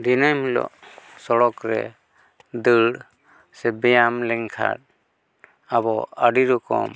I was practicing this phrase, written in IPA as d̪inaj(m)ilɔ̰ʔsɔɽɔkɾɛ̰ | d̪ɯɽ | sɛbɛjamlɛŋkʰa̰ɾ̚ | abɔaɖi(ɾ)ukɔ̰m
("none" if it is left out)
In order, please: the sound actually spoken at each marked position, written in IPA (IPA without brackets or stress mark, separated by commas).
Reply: m, ɾ